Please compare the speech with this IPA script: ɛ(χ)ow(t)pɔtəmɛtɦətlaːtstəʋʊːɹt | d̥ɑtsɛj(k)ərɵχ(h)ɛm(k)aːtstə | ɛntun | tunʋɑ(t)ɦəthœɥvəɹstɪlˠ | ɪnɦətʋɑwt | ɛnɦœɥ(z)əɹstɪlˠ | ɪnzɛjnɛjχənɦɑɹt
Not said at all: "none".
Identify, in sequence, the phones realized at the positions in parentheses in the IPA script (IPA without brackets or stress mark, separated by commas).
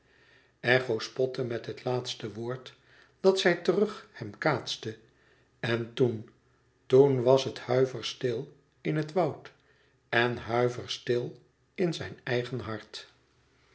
χ, s, t, h, k, s, v